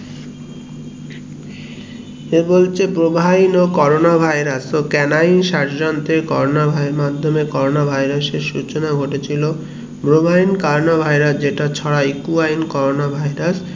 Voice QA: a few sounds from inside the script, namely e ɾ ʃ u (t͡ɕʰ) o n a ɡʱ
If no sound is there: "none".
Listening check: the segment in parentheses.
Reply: t͡ɕ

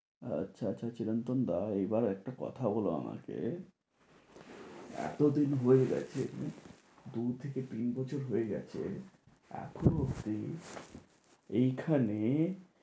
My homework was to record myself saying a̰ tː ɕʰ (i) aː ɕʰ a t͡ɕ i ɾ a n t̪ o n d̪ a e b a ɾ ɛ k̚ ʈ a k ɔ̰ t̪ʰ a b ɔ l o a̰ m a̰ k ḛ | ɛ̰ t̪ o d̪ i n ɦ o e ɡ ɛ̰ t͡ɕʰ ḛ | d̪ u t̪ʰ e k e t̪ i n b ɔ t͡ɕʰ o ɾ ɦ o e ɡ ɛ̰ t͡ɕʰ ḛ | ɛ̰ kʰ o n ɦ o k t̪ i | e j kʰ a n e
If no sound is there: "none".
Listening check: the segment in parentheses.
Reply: a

